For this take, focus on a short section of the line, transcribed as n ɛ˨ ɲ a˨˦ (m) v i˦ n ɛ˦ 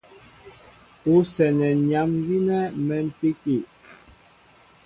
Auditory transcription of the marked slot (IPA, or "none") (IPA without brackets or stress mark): m